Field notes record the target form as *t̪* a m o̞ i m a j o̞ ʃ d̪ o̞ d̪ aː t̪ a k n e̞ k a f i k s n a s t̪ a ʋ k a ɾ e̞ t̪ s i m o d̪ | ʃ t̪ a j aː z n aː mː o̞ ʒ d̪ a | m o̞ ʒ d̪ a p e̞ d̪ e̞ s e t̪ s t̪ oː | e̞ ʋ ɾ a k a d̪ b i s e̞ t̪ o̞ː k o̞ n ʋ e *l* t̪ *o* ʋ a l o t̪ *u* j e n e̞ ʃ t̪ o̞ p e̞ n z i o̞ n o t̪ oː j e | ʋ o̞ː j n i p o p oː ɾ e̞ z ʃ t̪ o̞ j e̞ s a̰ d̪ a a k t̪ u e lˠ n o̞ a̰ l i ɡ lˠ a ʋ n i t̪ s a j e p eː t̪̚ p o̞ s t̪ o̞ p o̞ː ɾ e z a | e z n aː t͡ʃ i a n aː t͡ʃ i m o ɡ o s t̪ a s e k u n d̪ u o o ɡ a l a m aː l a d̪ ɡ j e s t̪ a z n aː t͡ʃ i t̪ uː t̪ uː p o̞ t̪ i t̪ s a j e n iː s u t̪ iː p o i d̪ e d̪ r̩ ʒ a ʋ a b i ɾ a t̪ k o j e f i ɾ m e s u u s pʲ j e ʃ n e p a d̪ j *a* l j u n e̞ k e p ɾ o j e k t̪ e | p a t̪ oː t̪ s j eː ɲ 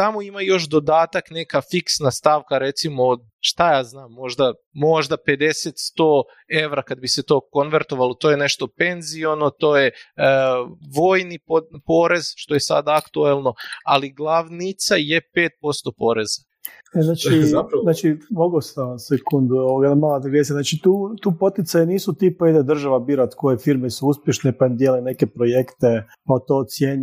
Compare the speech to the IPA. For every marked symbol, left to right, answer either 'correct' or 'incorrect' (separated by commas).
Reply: correct, incorrect, correct, incorrect, incorrect